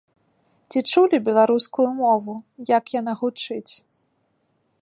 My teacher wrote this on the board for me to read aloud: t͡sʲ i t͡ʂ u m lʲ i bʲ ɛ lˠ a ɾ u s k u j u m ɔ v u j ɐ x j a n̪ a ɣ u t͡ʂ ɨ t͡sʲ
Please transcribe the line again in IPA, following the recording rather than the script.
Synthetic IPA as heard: t͡sʲ i t͡ʂ u lʲ i bʲ ɛ lˠ a ɾ u s k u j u m ɔ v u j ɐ k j a n̪ a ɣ u t͡ʂ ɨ t͡sʲ